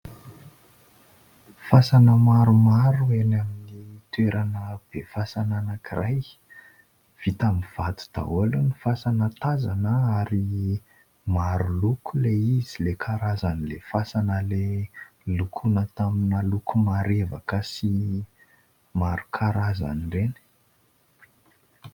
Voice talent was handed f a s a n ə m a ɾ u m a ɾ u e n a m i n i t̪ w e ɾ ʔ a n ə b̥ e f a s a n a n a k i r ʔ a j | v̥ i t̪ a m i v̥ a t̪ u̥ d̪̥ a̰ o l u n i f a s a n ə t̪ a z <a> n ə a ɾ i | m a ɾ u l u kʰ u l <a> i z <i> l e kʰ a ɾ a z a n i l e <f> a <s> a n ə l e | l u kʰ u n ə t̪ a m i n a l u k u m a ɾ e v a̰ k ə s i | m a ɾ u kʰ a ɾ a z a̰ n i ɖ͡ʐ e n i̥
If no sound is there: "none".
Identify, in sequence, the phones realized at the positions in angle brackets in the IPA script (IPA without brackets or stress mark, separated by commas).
a, e, i, f, s